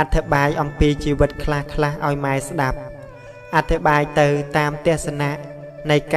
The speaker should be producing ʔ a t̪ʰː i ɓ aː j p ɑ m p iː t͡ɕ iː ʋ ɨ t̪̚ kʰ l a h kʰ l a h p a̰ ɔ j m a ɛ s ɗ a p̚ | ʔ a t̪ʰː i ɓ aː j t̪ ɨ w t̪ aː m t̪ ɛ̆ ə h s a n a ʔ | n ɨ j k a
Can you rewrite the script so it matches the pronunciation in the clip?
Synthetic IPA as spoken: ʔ a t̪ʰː i ɓ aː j ʔ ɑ m p iː t͡ɕ iː ʋ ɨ t̪̚ kʰ l a h kʰ l a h ʔ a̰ ɔ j m a ɛ s ɗ a p̚ | ʔ a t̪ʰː i ɓ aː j t̪ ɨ w t̪ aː m t̪ ɛ̆ ə h s a n a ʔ | n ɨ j k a